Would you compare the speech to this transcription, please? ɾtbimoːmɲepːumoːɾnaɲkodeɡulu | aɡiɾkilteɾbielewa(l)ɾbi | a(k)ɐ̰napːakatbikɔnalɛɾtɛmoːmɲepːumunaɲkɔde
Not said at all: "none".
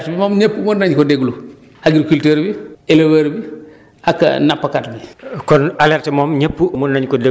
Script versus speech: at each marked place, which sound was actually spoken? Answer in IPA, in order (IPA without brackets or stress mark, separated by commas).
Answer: none, k